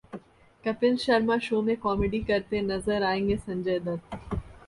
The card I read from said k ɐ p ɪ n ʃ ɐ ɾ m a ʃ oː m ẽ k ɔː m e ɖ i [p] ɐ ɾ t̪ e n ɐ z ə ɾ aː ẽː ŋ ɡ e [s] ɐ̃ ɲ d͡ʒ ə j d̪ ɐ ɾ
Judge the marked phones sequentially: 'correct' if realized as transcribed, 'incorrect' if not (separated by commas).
incorrect, correct